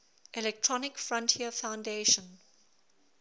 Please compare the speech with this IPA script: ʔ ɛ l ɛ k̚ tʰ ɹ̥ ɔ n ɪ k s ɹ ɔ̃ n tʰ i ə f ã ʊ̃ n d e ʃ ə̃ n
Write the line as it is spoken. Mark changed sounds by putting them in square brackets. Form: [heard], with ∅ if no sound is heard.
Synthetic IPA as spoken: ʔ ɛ l ɛ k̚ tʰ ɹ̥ ɔ n ɪ k [f] ɹ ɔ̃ n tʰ i ə f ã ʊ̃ n d e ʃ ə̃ n